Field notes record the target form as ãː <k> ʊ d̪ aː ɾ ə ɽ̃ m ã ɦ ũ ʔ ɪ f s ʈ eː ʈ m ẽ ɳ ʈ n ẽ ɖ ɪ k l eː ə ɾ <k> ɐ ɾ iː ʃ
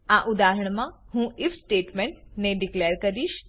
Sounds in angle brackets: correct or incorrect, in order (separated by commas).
incorrect, correct